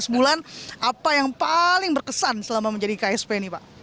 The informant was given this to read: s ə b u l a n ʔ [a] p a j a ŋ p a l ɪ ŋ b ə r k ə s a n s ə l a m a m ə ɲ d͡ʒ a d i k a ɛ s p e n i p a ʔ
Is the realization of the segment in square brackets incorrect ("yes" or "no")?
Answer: no